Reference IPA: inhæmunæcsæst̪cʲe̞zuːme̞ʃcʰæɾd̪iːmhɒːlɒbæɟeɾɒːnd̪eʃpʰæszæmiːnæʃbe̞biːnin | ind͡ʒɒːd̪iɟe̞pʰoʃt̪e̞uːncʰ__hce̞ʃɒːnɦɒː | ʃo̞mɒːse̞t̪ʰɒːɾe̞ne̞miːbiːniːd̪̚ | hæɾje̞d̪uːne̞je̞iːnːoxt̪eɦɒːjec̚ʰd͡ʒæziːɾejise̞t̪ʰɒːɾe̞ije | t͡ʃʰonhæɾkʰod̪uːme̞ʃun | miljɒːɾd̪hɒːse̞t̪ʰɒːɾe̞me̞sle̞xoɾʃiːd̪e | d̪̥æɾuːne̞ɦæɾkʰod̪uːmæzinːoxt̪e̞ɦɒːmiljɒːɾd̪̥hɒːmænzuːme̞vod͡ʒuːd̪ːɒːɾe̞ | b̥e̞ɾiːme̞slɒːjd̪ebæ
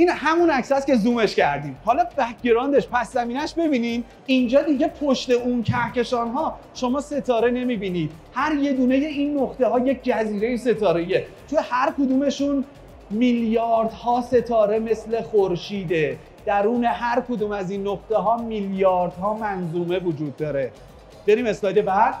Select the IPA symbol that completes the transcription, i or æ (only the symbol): æ